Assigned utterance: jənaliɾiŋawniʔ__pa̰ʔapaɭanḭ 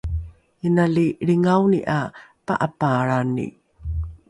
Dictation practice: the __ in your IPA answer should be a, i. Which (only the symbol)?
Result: a